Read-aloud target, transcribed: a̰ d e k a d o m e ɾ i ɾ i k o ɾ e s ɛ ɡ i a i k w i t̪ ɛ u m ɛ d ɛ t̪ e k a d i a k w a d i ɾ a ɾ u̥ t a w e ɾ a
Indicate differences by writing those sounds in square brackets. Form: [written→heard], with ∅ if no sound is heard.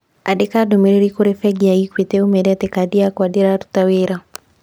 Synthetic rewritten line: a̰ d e k a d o m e ɾ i ɾ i k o ɾ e [s→f] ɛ ɡ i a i k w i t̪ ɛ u m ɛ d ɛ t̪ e k a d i a k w a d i ɾ a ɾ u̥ t a w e ɾ a